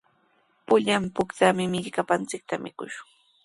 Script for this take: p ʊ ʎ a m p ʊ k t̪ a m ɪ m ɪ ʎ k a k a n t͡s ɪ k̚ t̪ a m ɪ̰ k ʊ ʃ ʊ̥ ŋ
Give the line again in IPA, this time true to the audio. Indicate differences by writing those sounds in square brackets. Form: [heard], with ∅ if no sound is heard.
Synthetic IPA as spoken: p ʊ ʎ a m p ʊ k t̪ a m ɪ m ɪ ʎ k a [p] a n t͡s ɪ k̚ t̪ a m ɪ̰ k ʊ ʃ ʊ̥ ŋ